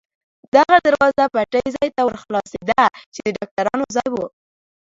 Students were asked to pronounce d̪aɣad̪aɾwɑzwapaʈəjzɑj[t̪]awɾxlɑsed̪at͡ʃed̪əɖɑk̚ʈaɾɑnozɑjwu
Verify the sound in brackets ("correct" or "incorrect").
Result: correct